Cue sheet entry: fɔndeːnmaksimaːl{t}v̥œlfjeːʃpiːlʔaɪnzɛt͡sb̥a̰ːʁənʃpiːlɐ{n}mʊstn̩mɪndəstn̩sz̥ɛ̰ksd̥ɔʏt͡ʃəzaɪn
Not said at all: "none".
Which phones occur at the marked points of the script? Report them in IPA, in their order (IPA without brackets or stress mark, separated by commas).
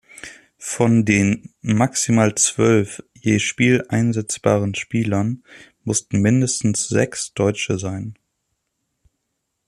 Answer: t͡s, n